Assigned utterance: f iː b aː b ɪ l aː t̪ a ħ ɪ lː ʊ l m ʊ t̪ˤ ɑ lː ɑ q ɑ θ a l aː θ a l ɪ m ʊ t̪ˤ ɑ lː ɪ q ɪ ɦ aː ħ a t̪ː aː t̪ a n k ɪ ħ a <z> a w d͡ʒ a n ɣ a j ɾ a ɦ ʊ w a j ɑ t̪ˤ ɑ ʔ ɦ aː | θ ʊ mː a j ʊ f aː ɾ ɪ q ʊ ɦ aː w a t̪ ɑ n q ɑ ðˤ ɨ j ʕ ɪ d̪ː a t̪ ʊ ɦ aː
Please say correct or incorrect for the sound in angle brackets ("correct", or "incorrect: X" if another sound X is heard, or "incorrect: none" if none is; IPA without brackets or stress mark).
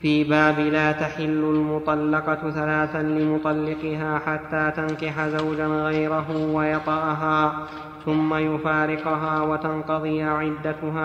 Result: correct